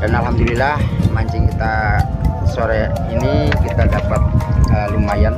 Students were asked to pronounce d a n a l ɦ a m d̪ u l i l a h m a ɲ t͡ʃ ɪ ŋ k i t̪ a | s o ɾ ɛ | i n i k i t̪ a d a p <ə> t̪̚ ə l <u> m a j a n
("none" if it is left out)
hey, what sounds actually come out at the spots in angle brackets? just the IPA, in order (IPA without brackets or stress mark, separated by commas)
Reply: a, u